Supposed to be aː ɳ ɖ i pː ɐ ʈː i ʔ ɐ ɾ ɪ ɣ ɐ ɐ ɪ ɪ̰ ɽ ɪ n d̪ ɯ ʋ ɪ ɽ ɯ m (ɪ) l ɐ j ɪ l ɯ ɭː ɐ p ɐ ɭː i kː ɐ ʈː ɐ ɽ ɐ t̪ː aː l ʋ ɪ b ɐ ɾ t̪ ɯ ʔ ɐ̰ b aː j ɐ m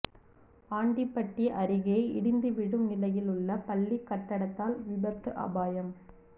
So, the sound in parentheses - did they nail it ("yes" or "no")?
yes